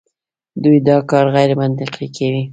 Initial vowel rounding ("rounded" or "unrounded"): rounded